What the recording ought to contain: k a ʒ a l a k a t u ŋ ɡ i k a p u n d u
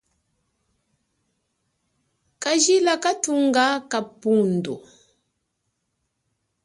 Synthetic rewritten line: k a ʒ i l a k a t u ŋ ɡ a k a p u n d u

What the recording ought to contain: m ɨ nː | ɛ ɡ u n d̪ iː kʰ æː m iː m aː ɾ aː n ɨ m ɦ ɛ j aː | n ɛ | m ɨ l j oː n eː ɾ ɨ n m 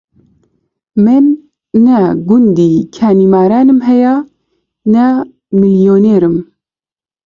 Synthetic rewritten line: m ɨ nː | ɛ ɡ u n d̪ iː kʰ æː n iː m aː ɾ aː n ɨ m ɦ ɛ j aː | n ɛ | m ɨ l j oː n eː ɾ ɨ m

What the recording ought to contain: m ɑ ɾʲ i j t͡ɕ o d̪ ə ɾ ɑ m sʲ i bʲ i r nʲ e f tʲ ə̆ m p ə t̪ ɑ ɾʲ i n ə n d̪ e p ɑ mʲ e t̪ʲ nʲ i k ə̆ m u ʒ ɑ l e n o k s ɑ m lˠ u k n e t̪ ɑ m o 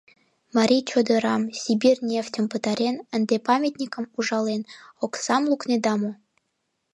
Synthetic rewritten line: m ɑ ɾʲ i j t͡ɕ o d̪ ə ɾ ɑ m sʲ i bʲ i r nʲ e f tʲ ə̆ m p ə t̪ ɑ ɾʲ e n ə n d̪ e p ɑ mʲ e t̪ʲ nʲ i k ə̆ m u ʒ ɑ l e n o k s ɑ m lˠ u k n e d̪ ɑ m o

